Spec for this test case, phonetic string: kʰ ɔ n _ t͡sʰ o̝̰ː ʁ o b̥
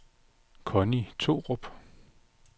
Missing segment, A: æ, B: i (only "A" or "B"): B